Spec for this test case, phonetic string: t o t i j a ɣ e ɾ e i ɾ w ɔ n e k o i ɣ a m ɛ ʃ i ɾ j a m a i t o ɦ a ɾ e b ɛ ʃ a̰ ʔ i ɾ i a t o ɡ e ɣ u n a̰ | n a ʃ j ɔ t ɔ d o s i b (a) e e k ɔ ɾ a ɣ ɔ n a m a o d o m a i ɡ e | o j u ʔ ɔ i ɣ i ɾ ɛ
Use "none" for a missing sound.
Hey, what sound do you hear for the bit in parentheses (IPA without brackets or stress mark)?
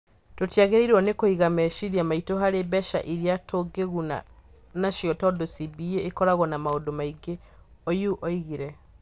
i